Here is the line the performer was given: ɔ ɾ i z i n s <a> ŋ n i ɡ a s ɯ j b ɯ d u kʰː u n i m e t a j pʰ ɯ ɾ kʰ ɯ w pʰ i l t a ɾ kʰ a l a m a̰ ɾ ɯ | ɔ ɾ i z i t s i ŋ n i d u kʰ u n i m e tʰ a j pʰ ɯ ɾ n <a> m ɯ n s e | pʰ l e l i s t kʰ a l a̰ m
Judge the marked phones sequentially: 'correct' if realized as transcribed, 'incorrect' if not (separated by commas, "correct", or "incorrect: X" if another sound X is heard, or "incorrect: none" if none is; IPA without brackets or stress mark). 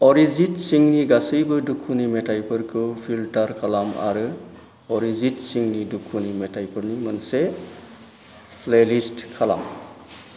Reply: incorrect: i, incorrect: i